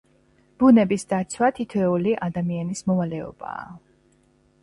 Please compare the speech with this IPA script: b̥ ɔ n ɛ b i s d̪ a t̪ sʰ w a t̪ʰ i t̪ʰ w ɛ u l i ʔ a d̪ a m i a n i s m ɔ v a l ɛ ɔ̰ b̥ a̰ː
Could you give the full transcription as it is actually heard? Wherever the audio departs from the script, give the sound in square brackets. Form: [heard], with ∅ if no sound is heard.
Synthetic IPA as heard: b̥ [u] n ɛ b i s d̪ a t̪ sʰ w a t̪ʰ i t̪ʰ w ɛ u l i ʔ a d̪ a m i a n i s m ɔ v a l ɛ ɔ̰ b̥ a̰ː